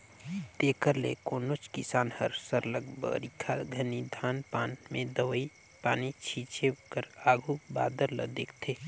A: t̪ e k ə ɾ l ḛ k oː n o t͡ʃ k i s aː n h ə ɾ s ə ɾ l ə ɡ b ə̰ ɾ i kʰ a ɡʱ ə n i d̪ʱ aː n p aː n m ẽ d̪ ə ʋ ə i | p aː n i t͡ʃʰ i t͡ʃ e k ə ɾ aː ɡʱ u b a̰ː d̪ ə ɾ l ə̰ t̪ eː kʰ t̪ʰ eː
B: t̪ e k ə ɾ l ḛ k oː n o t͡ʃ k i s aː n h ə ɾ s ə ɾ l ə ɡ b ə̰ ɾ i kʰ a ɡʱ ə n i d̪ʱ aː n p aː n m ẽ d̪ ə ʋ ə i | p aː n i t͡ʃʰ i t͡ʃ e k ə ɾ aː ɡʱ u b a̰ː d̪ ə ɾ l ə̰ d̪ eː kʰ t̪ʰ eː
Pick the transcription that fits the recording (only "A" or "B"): B